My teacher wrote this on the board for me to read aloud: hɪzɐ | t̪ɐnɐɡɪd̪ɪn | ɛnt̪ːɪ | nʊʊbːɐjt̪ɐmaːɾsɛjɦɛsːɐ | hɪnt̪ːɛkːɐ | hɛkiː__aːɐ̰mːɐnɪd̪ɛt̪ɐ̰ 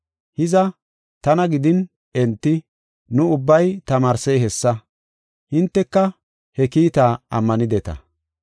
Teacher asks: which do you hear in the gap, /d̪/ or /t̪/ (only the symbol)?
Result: t̪